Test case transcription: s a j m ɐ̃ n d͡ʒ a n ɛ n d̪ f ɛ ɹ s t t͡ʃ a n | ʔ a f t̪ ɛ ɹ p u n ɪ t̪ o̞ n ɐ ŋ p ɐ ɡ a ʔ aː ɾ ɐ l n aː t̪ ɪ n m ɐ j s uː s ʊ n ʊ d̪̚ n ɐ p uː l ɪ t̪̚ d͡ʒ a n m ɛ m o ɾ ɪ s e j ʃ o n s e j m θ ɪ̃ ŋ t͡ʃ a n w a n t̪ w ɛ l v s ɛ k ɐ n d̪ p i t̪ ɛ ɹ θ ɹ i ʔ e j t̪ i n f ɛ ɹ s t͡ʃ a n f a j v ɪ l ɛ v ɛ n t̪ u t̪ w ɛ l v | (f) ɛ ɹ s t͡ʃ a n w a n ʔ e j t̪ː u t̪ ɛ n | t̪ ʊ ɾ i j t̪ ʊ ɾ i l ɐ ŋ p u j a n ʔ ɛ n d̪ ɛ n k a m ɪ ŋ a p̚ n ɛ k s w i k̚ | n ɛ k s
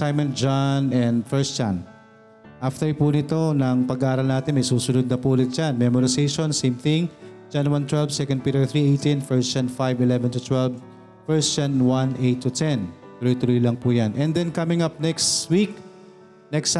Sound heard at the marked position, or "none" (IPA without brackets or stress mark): f